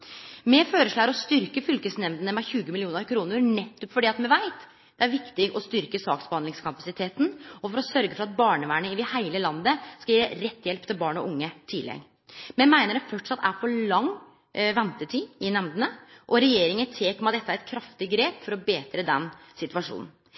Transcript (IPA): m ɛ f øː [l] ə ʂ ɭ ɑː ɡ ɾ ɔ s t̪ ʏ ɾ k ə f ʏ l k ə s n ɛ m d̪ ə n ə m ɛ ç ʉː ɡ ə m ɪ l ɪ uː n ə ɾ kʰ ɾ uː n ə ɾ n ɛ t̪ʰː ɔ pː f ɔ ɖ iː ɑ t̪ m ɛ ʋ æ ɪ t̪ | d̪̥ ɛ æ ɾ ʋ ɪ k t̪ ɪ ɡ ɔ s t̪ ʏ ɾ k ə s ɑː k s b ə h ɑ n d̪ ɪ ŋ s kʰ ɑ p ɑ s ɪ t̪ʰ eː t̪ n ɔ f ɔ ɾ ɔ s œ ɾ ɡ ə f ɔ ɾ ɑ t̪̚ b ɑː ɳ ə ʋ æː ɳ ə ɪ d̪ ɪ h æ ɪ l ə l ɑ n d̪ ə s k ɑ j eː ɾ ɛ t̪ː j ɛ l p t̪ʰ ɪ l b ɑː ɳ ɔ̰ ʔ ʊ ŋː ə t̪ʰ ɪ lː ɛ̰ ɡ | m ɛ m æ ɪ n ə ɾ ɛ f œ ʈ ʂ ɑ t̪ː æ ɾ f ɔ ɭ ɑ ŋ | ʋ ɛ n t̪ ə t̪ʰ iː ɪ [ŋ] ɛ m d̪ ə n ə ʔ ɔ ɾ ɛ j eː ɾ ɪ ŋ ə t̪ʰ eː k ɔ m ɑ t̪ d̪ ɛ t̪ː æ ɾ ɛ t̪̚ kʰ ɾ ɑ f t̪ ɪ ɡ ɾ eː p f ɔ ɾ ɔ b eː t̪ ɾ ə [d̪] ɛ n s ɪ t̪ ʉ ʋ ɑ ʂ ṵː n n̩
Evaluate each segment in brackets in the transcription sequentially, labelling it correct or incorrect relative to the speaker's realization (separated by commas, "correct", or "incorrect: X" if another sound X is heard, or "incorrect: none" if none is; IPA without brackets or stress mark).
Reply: incorrect: ɾ, incorrect: n, correct